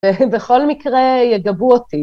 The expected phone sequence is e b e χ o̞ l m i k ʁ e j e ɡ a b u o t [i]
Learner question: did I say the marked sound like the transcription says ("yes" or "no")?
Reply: yes